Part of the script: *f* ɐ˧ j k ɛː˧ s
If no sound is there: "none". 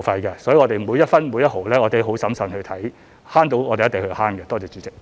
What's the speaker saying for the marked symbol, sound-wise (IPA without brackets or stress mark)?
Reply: f